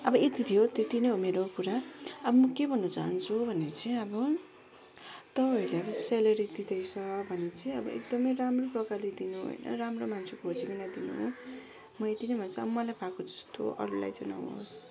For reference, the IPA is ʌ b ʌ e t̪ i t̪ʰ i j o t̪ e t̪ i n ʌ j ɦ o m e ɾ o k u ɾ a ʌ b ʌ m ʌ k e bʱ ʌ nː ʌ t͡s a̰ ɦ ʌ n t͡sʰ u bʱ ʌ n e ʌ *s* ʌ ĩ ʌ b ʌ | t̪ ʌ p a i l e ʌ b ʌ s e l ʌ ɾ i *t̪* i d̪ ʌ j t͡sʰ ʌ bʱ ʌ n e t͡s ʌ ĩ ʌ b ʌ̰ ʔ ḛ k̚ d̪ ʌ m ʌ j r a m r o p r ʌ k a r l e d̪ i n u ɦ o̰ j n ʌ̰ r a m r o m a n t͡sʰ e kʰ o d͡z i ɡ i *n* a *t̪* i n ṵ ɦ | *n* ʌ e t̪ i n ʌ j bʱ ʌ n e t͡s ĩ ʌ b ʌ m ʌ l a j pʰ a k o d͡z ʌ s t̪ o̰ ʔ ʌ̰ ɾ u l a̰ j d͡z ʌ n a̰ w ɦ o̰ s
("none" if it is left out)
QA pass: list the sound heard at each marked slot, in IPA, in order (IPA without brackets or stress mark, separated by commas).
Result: t͡s, d̪, n, d̪, m